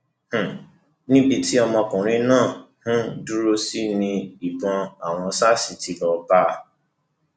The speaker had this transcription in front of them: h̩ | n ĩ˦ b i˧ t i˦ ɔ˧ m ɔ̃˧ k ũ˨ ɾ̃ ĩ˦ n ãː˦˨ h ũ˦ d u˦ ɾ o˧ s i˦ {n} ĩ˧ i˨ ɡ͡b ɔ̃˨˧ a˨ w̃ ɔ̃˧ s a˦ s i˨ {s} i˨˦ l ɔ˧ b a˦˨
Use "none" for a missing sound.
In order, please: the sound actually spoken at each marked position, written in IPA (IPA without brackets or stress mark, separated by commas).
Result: n, t